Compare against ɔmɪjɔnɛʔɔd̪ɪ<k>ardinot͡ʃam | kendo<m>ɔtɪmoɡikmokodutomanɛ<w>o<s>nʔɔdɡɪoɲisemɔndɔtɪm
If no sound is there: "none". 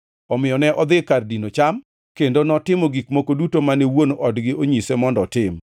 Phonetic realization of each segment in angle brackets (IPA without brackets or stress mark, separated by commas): k, n, w, none